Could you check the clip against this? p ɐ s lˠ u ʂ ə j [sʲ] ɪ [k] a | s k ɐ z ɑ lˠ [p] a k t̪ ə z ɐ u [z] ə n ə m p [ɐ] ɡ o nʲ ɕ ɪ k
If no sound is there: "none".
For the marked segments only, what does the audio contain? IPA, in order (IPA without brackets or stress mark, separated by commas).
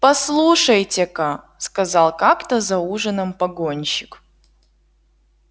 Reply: tʲ, k, k, ʐ, ɐ